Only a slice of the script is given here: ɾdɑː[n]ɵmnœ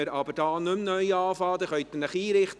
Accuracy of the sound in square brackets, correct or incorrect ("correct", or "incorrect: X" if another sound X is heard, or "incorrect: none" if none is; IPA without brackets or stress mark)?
correct